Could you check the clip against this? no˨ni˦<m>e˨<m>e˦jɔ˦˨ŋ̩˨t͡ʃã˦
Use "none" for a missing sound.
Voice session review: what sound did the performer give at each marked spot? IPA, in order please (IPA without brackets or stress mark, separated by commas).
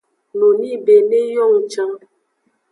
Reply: b, n